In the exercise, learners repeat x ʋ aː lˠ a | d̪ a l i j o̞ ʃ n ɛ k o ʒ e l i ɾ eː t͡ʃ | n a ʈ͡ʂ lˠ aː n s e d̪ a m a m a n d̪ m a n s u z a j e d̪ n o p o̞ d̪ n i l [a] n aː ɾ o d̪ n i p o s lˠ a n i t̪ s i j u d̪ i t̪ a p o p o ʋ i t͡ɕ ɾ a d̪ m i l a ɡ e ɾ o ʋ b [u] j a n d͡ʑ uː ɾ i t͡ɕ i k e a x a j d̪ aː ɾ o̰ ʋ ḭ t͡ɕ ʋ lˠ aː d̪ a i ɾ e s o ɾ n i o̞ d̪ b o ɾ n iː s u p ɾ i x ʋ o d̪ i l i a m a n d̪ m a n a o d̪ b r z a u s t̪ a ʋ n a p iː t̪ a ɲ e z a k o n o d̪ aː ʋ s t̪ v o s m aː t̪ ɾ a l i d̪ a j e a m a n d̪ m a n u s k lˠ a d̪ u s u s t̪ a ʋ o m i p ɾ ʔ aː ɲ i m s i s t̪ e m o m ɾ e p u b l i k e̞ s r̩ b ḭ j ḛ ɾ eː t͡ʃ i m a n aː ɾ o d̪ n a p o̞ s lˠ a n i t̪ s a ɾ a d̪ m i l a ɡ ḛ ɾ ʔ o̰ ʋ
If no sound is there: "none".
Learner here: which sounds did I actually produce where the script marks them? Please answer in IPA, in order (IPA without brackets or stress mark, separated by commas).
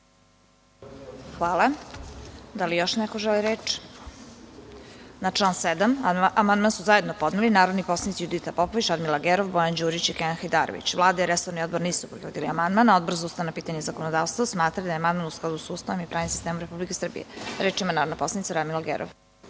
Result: i, o